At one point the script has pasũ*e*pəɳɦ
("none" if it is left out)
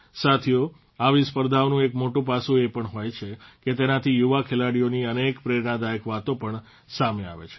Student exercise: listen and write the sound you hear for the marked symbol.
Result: e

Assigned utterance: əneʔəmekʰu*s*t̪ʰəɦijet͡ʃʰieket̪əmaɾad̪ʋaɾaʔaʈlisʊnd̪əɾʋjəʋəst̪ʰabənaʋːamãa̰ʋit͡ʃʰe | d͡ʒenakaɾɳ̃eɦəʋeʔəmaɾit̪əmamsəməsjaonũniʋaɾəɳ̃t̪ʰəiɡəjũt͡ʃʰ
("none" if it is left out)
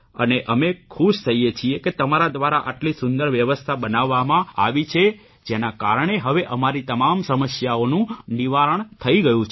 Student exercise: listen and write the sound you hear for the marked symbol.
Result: ʃ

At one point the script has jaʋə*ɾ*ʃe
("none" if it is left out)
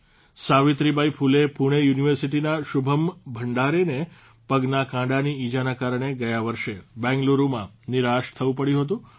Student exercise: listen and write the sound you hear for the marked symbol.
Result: ɾ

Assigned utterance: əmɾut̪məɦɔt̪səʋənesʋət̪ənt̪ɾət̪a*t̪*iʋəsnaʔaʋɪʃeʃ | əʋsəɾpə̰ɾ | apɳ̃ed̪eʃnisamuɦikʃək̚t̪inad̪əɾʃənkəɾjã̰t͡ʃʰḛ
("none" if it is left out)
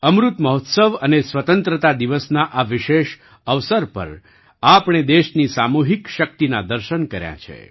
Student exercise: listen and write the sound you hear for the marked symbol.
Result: d̪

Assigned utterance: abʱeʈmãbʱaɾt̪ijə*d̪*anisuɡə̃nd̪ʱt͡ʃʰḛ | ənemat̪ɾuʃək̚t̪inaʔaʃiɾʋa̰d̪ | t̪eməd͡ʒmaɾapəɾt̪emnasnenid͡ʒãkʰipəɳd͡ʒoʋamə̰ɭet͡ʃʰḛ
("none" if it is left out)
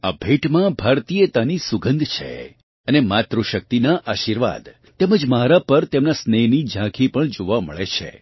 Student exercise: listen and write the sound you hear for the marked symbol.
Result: t̪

